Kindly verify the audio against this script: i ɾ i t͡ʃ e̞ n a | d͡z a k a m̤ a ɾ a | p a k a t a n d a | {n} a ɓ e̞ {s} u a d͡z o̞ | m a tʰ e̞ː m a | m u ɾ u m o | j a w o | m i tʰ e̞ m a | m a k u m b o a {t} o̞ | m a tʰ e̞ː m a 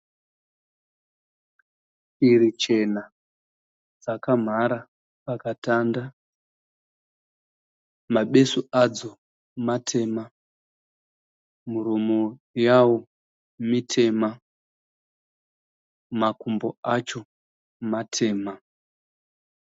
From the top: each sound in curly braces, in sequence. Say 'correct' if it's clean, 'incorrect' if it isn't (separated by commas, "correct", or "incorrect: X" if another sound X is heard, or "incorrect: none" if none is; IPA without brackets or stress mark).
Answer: incorrect: m, correct, incorrect: t͡ʃ